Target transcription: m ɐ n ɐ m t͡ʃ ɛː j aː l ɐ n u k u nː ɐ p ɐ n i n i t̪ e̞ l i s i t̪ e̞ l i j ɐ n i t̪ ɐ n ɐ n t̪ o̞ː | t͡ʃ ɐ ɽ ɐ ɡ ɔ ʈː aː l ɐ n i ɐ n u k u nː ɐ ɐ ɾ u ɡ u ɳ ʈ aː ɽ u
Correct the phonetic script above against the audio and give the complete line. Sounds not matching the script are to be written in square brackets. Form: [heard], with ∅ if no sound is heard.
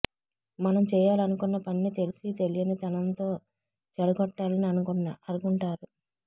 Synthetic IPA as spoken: m ɐ n ɐ m t͡ʃ ɛː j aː l ɐ n u k u nː ɐ p ɐ n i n i t̪ e̞ l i s i t̪ e̞ l i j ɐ n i t̪ ɐ n ɐ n t̪ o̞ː | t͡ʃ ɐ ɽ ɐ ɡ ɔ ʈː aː l ɐ n i ɐ n u k u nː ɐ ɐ ɾ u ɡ u ɳ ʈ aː [ɾ] u